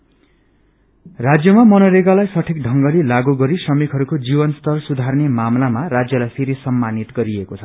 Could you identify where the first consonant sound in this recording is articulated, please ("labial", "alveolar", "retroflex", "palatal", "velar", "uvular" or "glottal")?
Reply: alveolar